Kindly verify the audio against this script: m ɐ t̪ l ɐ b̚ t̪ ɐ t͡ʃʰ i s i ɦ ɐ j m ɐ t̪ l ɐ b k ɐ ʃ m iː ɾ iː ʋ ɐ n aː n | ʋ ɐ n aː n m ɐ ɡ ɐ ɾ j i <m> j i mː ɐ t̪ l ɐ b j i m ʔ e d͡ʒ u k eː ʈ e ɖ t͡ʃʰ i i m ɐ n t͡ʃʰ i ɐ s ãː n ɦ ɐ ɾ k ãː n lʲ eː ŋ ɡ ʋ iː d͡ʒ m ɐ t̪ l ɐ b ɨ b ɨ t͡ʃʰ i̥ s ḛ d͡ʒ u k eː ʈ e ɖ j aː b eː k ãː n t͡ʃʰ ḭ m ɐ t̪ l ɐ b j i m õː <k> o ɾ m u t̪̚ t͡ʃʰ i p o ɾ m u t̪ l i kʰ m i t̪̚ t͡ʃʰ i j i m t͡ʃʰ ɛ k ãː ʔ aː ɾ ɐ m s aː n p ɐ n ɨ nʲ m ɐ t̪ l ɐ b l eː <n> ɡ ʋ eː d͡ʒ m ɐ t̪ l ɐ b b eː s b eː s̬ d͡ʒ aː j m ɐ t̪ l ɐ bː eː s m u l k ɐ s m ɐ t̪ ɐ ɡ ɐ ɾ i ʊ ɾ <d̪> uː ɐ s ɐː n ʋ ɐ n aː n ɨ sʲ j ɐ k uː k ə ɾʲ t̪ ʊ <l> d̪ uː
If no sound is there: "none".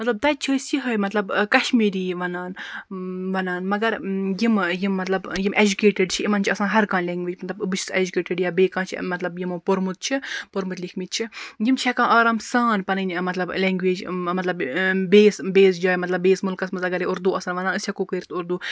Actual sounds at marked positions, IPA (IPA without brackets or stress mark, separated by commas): m, p, ŋ, d̪, ɾ